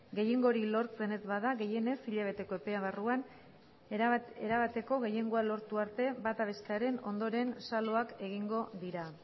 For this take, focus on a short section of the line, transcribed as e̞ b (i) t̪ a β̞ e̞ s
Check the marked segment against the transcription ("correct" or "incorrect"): incorrect